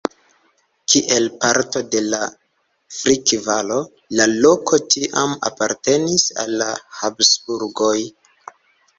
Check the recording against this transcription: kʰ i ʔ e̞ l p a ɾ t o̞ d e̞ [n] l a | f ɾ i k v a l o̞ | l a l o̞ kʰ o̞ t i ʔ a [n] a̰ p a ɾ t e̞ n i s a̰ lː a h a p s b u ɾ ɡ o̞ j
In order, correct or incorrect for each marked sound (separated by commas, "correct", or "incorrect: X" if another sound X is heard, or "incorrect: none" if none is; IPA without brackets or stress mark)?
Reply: incorrect: none, incorrect: m